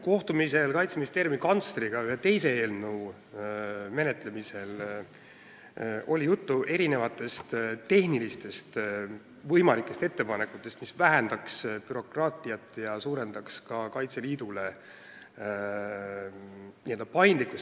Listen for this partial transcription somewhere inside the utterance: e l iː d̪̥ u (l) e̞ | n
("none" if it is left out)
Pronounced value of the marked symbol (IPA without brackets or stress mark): l